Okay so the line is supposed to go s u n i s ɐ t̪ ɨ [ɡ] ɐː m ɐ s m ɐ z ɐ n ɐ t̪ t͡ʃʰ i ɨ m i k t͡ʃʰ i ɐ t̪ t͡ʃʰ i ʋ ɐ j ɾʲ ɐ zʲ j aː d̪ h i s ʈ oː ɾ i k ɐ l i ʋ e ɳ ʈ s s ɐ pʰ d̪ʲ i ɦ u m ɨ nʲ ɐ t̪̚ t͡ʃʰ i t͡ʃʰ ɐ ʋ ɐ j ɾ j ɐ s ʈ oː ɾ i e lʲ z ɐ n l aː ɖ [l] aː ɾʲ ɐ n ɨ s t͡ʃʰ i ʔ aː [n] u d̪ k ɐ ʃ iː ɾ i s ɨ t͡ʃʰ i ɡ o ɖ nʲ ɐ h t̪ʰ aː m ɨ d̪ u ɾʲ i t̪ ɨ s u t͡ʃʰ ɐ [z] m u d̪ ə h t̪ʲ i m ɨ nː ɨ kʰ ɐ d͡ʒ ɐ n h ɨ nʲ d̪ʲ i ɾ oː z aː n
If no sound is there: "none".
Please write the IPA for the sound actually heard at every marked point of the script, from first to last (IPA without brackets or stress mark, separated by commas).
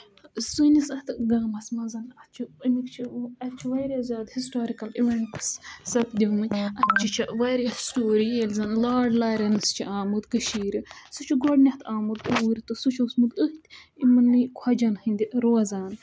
ɡ, l, m, s